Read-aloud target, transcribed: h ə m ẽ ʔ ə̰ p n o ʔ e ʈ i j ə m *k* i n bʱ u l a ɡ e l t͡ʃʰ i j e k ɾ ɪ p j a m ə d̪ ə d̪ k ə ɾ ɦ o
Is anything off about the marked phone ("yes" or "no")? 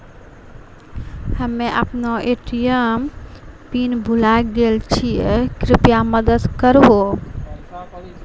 yes